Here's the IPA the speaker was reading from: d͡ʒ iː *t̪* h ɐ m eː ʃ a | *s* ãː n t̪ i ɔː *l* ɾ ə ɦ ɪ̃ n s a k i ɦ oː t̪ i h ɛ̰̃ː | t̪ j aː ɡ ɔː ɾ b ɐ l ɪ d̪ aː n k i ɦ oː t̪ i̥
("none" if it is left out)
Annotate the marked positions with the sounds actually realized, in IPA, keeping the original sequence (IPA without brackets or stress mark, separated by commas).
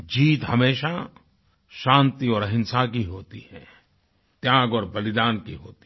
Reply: t̪, ʃ, none